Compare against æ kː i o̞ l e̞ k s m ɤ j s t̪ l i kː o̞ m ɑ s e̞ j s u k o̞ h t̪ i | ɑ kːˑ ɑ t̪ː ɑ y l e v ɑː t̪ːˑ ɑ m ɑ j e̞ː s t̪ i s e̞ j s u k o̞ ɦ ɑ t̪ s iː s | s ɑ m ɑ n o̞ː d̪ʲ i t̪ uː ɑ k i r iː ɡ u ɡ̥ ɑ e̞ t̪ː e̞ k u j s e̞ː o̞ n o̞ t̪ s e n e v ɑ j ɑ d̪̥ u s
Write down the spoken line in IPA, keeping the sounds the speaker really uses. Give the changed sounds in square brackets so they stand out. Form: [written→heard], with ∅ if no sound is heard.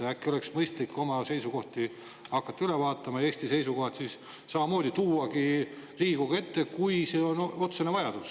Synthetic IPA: æ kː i o̞ l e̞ k s m ɤ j s t̪ l i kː o̞ m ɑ s e̞ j s u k o̞ h t̪ i | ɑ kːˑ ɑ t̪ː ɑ y l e v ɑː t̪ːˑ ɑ m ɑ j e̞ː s t̪ i s e̞ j s u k o̞ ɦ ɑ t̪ s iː s | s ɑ m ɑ [n→m] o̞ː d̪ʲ i t̪ uː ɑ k i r iː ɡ u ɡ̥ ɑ e̞ t̪ː e̞ k u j s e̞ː o̞ n o̞ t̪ s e n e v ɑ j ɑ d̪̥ u s